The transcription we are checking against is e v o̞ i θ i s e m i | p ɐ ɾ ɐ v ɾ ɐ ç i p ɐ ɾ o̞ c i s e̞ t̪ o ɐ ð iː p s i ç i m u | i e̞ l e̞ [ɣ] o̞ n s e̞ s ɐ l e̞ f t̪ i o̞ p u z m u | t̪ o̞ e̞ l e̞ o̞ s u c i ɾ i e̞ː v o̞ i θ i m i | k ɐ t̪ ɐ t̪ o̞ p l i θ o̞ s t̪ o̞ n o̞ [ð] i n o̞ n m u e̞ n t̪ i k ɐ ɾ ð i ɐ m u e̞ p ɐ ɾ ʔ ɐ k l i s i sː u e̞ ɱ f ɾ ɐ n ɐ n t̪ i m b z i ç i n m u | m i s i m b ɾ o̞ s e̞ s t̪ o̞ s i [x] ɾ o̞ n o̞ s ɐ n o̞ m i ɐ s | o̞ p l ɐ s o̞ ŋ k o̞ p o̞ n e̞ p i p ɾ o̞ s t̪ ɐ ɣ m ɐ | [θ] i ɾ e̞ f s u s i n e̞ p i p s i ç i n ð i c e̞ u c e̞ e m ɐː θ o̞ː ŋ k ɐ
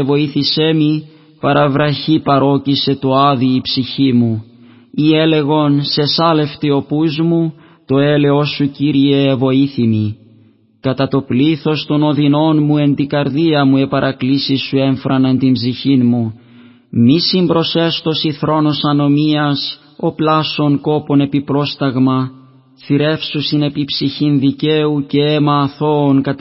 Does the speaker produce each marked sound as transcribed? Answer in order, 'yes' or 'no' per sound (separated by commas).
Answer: yes, yes, no, yes